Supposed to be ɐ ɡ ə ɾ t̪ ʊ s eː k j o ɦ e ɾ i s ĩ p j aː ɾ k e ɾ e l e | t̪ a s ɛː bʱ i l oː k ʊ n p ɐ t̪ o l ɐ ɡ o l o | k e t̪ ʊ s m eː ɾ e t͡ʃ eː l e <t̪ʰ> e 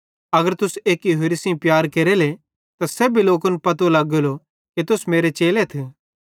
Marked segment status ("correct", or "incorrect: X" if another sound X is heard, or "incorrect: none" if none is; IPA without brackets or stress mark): correct